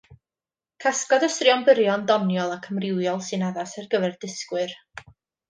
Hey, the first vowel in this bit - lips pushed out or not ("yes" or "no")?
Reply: no